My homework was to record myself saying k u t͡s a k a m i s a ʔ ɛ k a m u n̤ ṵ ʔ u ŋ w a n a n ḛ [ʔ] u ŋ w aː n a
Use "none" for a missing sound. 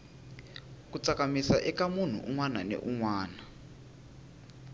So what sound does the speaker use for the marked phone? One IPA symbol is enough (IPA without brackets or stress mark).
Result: ʔ